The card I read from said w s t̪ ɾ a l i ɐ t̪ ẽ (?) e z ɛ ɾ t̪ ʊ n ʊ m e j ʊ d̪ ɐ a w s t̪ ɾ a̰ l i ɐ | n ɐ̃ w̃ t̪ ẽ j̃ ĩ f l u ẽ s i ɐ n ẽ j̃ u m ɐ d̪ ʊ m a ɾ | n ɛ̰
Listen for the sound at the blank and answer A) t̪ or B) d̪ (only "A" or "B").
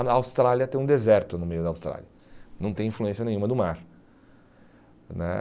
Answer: B